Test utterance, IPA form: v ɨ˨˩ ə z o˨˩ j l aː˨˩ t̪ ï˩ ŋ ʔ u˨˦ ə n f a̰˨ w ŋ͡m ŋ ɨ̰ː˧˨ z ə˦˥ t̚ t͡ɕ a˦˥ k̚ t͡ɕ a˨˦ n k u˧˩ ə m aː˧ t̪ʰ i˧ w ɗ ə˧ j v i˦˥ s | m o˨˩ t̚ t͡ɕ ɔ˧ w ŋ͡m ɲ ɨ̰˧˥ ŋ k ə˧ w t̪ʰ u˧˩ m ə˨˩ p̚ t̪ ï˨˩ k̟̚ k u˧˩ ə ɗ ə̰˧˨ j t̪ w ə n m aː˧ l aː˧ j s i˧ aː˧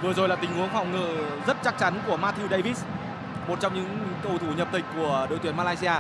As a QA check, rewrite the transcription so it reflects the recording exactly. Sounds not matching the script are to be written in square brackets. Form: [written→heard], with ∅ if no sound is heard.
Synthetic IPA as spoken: v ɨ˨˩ ə z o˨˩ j l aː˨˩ t̪ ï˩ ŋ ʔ u˨˦ ə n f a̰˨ w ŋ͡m ŋ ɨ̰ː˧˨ z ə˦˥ t̚ t͡ɕ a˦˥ k̚ t͡ɕ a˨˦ n k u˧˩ ə m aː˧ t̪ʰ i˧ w ɗ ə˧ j v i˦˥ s | m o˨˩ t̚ t͡ɕ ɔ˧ w ŋ͡m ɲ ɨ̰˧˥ ŋ k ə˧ w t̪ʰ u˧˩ [m→ɲ] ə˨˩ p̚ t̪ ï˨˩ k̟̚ k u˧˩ ə ɗ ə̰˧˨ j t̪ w ə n m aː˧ l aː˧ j s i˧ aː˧